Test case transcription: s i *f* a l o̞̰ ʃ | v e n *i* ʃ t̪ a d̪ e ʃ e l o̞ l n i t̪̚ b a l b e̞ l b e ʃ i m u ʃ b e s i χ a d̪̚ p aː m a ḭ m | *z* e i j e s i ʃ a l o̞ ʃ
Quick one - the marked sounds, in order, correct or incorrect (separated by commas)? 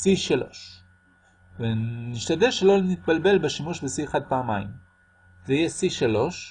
incorrect, correct, correct